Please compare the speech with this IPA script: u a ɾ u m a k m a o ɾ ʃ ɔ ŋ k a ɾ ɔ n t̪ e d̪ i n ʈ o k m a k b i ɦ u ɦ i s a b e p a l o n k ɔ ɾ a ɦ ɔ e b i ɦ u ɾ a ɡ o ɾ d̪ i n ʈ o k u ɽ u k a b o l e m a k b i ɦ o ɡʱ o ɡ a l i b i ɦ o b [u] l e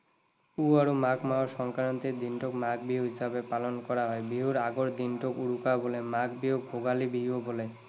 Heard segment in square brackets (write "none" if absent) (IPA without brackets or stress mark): o